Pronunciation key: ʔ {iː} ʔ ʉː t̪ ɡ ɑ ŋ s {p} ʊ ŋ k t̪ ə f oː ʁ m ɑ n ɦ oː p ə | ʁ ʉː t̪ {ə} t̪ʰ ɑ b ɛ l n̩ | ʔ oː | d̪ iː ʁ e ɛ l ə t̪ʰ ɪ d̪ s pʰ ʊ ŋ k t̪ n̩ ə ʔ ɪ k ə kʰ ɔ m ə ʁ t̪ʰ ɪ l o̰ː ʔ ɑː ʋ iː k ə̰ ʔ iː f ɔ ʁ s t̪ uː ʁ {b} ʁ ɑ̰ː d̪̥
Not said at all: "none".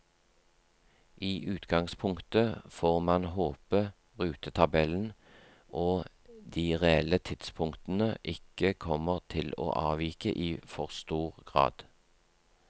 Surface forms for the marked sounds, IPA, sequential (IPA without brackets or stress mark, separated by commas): iː, pʰ, ə, ɡ